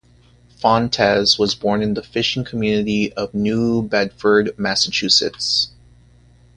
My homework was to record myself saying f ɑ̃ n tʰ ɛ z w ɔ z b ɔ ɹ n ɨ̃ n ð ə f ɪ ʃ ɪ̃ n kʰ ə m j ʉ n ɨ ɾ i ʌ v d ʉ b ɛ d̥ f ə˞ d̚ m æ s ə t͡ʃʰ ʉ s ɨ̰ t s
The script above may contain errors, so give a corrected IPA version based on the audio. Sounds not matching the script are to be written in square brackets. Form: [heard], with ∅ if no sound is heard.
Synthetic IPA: f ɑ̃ n tʰ ɛ z w [ʌ] z b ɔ ɹ n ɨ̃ n ð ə f ɪ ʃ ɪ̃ [ŋ] kʰ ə m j ʉ n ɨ ɾ i ʌ v [n] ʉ b ɛ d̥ f ə˞ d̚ m æ s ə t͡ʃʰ ʉ s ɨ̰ t s